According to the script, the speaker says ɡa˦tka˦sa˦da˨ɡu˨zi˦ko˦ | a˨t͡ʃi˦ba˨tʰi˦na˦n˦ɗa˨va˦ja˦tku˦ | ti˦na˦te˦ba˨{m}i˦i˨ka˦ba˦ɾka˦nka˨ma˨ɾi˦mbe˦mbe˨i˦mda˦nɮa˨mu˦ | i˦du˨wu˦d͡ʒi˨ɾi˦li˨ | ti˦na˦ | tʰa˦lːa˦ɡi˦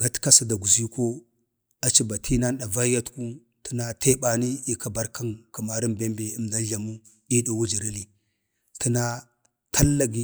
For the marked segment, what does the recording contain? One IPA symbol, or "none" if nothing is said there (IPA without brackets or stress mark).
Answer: n